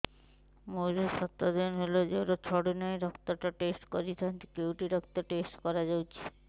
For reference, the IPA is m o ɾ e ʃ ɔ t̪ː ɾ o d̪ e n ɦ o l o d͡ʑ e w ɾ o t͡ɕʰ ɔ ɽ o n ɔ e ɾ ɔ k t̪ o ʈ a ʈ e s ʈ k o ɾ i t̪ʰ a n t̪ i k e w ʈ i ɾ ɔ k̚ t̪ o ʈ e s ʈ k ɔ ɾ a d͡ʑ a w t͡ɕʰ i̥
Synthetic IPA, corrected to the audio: m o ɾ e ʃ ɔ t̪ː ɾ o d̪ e n ɦ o l o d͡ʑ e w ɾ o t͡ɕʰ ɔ ɽ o n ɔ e ɾ ɔ k t̪ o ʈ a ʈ e s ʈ k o ɾ i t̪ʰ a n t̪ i k e w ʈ i ɾ ɔ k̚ t̪ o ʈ e s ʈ k ɔ ɾ a d͡ʑ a w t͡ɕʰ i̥